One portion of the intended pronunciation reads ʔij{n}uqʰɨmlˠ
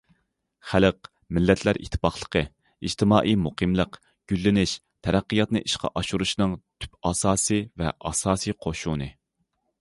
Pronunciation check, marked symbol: incorrect: m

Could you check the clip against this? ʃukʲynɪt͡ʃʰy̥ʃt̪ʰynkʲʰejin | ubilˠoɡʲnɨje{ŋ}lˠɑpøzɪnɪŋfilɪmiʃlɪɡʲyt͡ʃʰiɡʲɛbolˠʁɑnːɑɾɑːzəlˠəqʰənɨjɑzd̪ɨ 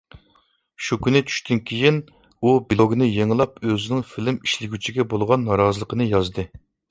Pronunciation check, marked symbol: correct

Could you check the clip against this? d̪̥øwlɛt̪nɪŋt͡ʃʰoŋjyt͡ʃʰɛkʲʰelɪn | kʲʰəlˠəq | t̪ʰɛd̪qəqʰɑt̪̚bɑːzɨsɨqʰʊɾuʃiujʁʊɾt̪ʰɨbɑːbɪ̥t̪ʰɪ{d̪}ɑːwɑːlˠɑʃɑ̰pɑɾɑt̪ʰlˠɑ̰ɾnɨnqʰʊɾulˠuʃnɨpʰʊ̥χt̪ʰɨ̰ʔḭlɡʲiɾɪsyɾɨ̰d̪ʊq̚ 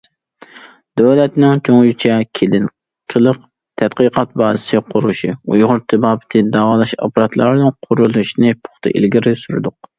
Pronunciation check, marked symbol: correct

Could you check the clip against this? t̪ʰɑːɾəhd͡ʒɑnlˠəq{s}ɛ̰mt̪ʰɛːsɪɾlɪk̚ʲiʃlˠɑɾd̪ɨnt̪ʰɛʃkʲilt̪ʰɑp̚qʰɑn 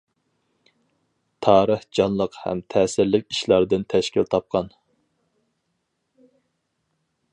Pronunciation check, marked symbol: incorrect: h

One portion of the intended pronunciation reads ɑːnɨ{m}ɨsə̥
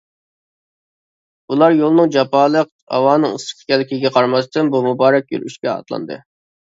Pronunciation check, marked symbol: incorrect: ŋ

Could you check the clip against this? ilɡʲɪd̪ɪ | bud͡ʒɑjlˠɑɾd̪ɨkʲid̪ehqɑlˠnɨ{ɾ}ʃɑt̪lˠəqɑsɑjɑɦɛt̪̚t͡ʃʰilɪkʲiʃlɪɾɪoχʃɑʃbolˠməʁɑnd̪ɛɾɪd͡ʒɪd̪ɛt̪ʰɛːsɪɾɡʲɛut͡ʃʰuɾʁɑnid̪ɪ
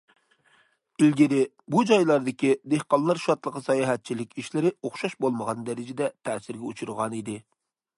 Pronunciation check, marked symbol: correct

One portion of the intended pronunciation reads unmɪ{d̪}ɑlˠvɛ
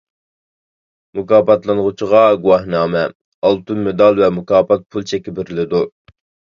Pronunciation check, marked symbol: correct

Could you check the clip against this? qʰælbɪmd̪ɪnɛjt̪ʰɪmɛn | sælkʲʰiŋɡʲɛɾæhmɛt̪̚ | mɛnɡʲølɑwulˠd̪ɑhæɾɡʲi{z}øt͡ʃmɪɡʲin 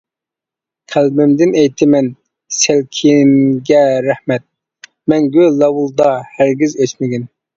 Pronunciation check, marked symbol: correct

